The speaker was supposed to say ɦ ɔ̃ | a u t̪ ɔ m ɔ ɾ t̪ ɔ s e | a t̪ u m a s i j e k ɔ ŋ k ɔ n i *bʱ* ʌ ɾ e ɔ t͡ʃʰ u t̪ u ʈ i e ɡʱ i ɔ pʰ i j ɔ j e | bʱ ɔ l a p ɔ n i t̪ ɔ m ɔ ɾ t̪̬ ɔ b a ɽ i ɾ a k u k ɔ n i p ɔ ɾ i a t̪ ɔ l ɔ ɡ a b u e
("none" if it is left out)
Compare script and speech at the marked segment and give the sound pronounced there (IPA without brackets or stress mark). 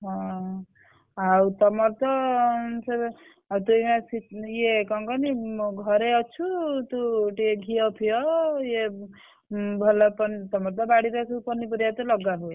ɡʱ